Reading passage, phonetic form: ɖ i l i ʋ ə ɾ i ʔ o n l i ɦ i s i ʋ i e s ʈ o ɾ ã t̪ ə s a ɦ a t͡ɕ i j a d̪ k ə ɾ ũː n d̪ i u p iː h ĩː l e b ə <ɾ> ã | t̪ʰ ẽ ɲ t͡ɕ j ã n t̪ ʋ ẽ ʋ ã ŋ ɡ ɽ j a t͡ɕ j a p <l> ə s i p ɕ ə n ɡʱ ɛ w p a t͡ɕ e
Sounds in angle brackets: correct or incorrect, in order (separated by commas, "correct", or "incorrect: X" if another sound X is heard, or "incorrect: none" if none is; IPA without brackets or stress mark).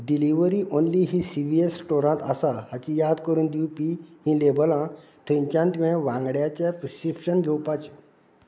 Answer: incorrect: l, incorrect: ɾ